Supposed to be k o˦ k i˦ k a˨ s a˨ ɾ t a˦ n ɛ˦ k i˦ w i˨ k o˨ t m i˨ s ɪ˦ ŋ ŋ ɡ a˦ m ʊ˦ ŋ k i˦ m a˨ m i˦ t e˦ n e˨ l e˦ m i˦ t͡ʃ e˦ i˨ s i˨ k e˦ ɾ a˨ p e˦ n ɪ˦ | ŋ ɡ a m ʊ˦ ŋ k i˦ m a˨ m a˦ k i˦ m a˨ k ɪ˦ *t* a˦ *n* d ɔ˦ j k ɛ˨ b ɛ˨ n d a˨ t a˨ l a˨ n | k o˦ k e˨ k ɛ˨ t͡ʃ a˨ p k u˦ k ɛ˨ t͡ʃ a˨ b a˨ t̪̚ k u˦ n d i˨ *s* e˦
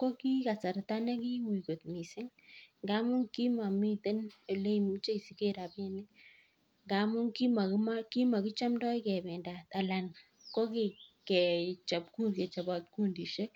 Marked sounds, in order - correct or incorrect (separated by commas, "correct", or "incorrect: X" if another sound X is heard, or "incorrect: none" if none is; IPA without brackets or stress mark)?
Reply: incorrect: t͡ʃ, incorrect: m, incorrect: ʃ